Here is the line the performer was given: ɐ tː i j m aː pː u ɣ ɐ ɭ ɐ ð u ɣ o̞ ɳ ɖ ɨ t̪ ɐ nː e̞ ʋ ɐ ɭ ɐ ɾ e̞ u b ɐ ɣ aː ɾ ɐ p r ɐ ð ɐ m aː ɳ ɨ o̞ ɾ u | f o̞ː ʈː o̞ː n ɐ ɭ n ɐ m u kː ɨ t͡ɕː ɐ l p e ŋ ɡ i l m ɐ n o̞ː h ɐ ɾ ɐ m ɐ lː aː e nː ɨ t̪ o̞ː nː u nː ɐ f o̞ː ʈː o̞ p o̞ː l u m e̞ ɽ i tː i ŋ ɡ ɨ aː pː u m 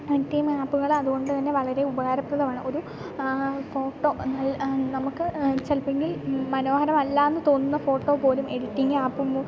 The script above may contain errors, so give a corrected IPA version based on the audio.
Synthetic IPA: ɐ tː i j m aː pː u ɣ ɐ ɭ ɐ ð u ɣ o̞ ɳ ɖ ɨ t̪ ɐ nː e̞ ʋ ɐ ɭ ɐ ɾ e̞ u b ɐ ɣ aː ɾ ɐ p r ɐ ð ɐ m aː ɳ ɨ o̞ ɾ u | f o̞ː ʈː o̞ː n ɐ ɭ n ɐ m u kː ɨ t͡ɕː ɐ l p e ŋ ɡ i l m ɐ n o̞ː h ɐ ɾ ɐ m ɐ lː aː e nː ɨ t̪ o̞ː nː u nː ɐ f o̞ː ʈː o̞ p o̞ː l u m e̞ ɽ i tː i ŋ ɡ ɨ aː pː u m